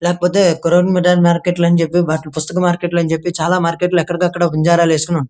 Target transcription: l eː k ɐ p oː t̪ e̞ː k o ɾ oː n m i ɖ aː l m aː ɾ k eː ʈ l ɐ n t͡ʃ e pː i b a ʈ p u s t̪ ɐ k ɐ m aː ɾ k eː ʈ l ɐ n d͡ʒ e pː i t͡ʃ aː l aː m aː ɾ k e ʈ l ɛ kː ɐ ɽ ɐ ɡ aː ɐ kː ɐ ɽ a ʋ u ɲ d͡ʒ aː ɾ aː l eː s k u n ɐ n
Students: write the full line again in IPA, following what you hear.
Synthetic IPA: l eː k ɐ p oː t̪ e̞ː k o ɾ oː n m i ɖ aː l m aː ɾ k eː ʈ l ɐ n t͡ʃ e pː i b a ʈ p u s t̪ ɐ k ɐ m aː ɾ k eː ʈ l ɐ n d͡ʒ e pː i t͡ʃ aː l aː m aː ɾ k e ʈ l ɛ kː ɐ ɽ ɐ ɡ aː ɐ kː ɐ ɽ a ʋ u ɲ d͡ʒ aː ɾ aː l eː s k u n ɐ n